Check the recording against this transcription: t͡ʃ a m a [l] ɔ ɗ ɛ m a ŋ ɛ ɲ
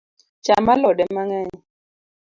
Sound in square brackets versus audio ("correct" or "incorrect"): correct